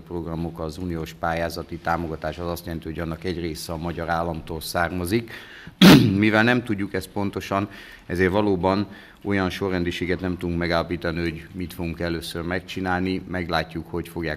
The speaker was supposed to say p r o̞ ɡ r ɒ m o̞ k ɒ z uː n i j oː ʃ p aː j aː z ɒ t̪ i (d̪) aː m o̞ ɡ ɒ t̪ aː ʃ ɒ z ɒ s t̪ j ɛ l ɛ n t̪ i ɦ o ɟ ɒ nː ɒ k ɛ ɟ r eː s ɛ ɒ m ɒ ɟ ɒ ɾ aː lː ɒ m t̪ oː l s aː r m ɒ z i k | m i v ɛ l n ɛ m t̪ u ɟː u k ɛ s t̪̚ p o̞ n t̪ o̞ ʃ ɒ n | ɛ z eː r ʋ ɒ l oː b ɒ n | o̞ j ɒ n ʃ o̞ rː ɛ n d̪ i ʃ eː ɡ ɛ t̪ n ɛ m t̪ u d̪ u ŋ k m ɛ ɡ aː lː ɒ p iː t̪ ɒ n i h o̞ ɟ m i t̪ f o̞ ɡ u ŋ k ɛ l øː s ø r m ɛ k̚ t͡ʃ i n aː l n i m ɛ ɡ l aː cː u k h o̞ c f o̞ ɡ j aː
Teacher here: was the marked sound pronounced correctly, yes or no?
no